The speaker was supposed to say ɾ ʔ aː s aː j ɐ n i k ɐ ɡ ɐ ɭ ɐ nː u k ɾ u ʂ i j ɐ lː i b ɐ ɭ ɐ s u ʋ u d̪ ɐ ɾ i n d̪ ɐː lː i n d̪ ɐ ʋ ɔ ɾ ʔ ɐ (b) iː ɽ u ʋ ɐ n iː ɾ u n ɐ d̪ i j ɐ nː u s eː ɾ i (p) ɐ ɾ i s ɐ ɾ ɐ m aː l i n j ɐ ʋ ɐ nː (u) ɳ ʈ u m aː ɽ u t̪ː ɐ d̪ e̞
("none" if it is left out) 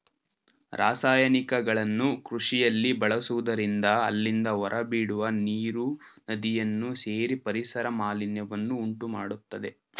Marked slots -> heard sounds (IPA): b, p, uː

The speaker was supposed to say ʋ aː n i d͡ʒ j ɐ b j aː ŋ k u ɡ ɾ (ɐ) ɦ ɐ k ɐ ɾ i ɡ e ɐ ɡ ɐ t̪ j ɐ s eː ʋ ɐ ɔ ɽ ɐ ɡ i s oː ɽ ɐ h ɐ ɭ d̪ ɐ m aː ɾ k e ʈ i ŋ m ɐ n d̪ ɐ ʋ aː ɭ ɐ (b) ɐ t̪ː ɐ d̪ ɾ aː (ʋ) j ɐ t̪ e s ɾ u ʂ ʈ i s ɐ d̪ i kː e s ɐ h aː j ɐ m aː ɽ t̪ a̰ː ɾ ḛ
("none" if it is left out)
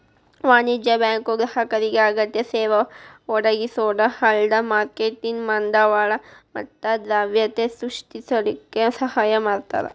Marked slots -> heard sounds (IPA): ɐ, m, ʋ

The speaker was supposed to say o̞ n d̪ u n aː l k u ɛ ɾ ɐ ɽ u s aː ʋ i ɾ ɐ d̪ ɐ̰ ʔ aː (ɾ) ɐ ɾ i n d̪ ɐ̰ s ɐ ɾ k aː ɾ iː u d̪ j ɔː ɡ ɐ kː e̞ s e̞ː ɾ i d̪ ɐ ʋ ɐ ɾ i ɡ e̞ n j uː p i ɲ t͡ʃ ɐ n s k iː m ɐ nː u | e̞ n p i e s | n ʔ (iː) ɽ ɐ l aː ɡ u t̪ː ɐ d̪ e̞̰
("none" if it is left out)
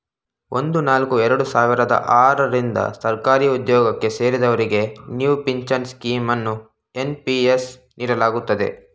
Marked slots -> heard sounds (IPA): ɾ, iː

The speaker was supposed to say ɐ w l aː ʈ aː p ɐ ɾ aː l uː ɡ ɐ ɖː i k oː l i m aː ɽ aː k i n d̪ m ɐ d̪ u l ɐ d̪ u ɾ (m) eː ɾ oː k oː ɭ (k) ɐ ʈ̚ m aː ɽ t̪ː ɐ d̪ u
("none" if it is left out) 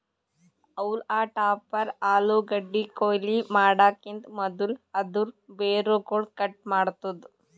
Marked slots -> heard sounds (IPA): b, k

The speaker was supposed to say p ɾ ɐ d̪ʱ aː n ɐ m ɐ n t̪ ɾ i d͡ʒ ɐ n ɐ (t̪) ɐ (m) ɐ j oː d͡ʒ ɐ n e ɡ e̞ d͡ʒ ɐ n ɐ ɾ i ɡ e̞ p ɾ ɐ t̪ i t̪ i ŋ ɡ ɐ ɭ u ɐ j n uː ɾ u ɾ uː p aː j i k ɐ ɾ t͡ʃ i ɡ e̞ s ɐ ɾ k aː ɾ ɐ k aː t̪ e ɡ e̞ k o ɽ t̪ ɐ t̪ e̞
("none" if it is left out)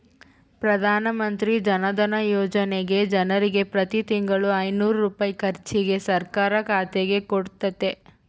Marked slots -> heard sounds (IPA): d̪, n

